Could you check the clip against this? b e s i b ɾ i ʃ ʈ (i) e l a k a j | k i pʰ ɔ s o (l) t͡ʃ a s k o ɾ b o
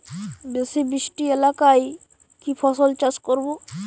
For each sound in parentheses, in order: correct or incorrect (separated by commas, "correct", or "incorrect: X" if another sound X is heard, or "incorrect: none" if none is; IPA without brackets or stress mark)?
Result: correct, correct